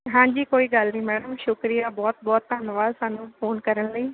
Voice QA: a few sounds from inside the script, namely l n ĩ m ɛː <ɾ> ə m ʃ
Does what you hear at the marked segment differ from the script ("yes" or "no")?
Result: yes